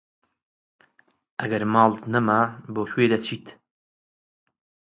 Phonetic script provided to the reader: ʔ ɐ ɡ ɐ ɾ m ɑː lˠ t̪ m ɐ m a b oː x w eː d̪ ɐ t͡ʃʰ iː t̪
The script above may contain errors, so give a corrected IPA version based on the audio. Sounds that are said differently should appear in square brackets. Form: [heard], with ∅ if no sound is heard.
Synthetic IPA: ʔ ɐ ɡ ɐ ɾ m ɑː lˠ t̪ [n] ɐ m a b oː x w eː d̪ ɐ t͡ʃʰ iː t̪